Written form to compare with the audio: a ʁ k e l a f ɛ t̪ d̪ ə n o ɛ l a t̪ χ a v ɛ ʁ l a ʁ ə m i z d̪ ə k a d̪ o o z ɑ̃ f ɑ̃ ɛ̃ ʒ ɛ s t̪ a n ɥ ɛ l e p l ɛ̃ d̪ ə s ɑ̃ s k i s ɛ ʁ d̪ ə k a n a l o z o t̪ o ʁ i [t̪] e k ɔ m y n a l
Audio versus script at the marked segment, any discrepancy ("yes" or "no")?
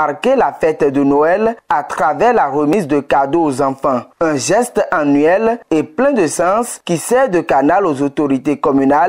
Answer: no